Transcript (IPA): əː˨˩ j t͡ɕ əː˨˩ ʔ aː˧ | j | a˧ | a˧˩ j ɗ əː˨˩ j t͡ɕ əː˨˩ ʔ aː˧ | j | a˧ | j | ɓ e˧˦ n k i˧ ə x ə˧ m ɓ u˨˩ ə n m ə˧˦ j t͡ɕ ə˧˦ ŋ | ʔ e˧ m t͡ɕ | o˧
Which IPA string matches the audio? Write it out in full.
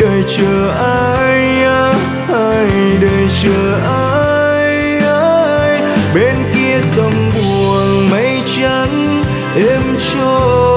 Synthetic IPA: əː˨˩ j t͡ɕ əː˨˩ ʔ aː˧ | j | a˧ | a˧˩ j ɗ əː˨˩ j t͡ɕ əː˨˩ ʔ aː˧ | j | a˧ | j | ɓ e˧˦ n k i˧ ə s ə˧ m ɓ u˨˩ ə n m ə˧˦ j t͡ɕ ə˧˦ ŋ | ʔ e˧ m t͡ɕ | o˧

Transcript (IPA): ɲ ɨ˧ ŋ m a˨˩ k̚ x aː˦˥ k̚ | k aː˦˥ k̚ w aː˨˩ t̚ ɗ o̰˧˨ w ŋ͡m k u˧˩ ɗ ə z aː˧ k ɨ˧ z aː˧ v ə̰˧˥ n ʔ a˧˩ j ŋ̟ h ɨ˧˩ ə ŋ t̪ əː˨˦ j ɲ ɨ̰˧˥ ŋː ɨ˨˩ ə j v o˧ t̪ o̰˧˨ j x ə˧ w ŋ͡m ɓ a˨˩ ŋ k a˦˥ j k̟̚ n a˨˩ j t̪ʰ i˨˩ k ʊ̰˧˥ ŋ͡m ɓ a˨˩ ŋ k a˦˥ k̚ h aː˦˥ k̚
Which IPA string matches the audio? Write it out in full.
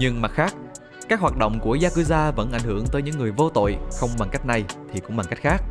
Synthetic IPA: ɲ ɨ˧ ŋ m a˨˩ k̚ x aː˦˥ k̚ | k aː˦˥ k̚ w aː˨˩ t̚ ɗ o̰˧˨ w ŋ͡m k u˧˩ ə z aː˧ k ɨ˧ z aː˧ v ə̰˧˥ n ʔ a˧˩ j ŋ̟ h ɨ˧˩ ə ŋ t̪ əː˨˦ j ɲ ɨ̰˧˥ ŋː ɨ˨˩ ə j v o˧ t̪ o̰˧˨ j x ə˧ w ŋ͡m ɓ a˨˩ ŋ k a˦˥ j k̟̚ n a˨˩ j t̪ʰ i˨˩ k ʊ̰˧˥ ŋ͡m ɓ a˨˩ ŋ k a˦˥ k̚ x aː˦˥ k̚

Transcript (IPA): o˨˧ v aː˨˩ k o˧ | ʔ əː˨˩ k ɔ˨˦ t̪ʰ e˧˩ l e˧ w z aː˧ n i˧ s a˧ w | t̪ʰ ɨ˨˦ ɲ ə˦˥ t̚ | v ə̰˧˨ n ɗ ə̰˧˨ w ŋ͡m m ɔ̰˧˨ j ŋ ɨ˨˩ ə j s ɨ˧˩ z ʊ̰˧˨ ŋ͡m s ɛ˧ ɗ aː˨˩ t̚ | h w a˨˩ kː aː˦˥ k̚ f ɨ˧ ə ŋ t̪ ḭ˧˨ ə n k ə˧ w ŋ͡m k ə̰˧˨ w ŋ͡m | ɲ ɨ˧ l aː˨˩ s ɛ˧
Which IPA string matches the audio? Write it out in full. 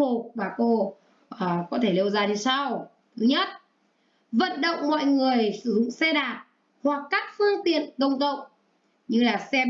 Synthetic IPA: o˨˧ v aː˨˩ k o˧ | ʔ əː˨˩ k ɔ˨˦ t̪ʰ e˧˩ l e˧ w z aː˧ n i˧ s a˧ w | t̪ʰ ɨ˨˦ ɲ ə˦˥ t̚ | v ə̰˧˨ n ɗ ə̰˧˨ w ŋ͡m m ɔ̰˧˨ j ŋ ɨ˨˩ ə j s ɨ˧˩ z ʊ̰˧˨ ŋ͡m s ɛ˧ ɗ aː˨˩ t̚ | h w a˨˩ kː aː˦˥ k̚ f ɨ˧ ə ŋ t̪ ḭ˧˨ ə n k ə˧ w ŋ͡m k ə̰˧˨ w ŋ͡m | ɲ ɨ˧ l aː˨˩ s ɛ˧

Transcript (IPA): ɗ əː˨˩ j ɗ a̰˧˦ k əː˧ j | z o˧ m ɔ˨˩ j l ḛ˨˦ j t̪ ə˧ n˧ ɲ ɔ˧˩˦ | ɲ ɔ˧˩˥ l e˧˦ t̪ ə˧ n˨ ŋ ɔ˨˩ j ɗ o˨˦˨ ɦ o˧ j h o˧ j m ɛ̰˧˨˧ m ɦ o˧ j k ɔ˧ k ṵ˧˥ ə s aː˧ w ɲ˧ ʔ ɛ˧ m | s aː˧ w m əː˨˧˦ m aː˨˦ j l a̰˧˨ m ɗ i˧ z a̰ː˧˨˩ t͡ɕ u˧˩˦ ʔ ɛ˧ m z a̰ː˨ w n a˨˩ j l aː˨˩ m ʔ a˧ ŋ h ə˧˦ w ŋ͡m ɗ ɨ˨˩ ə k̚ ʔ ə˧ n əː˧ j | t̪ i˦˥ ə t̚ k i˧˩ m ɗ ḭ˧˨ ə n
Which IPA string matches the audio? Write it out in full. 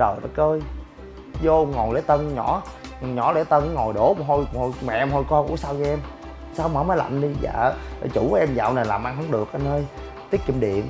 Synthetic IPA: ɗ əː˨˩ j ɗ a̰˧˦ k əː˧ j | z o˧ ŋ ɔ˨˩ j l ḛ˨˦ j t̪ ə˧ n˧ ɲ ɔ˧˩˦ | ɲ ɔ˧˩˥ l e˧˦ t̪ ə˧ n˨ ŋ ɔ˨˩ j ɗ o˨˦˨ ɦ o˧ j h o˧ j m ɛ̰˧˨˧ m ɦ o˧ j k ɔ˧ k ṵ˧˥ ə s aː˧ w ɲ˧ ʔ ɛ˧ m | s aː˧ w m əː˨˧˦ m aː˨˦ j l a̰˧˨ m ɗ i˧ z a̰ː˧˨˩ t͡ɕ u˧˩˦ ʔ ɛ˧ m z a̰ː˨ w n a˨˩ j l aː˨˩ m ʔ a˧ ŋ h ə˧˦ w ŋ͡m ɗ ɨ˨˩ ə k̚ ʔ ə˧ n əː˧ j | t̪ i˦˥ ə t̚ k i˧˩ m ɗ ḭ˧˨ ə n

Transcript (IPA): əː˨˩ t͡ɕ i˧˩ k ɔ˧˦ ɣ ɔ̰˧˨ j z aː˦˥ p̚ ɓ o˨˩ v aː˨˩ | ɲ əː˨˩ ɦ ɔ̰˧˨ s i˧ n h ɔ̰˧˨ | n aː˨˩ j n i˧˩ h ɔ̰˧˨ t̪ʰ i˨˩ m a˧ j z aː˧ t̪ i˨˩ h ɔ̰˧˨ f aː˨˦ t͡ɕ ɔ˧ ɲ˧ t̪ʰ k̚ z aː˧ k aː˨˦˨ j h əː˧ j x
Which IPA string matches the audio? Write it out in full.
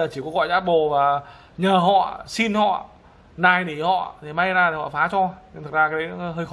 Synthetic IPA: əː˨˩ t͡ɕ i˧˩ k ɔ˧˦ ɣ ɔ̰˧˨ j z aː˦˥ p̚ ɓ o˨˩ v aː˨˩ | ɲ əː˨˩ ɦ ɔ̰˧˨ s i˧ n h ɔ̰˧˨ | n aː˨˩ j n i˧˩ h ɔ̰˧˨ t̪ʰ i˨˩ m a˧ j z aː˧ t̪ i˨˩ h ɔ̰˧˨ f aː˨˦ t͡ɕ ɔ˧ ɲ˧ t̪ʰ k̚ z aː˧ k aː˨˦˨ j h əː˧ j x

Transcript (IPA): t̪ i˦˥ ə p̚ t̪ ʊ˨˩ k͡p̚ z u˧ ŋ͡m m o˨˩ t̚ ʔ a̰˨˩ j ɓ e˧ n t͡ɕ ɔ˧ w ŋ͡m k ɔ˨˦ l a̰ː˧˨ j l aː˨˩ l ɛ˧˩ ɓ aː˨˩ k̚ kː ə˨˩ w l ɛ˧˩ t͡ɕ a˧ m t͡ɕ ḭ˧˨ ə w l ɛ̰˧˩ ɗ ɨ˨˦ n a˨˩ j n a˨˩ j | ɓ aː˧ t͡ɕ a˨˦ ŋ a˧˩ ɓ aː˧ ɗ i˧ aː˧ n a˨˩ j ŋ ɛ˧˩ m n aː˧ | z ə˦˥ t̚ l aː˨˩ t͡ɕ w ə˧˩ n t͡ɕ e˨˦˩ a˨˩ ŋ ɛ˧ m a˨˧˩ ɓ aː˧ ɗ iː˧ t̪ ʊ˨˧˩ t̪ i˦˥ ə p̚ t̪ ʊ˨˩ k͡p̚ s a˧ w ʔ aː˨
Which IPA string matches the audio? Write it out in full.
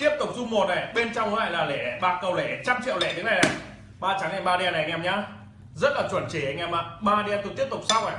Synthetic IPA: t̪ i˦˥ ə p̚ t̪ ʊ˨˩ k͡p̚ z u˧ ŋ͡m m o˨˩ t̚ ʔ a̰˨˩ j ɓ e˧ n t͡ɕ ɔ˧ w ŋ͡m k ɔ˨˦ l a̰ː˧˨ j l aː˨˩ l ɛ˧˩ ɓ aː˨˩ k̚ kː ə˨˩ w l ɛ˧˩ t͡ɕ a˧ m t͡ɕ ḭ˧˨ ə w l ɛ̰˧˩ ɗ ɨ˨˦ n a˨˩ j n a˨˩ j | ɓ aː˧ t͡ɕ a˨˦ ŋ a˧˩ ɓ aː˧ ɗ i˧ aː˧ n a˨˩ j ŋ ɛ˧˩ m ɲ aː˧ | z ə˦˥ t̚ l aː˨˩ t͡ɕ w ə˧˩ n t͡ɕ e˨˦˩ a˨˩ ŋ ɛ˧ m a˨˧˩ ɓ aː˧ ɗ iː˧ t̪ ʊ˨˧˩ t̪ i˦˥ ə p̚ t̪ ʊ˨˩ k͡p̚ s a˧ w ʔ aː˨

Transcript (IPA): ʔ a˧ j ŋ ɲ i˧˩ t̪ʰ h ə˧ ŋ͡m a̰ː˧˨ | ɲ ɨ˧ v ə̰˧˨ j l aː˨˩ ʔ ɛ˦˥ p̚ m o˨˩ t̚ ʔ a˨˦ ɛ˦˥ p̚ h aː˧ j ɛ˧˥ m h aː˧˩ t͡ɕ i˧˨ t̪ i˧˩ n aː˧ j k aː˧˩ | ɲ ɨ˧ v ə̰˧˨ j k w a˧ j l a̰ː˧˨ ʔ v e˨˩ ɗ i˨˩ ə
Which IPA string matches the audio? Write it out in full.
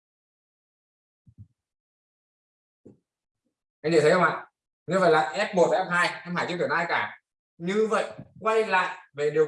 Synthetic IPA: ʔ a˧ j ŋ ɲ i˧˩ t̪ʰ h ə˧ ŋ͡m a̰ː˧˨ | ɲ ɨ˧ v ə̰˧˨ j l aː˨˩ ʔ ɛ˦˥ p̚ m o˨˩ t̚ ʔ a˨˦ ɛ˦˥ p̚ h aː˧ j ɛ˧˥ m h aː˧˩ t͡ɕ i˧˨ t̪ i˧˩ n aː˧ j k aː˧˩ | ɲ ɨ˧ v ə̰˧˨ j k w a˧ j l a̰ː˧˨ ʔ v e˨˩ ɗ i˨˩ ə

